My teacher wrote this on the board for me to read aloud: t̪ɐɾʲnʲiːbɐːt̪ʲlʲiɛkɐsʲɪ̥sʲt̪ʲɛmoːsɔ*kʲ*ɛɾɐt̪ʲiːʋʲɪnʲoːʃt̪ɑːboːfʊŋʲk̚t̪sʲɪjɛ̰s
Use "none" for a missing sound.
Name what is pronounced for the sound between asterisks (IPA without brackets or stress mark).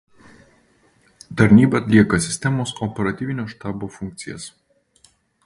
pʲ